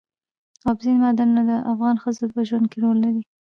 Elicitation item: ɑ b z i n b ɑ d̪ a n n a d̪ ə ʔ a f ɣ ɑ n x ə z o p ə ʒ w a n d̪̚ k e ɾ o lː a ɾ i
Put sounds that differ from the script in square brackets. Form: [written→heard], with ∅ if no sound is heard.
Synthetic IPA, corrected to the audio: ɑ b z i n [b→m] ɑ d̪ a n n a d̪ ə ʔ a f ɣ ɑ n x ə z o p ə ʒ w a n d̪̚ k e ɾ o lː a ɾ i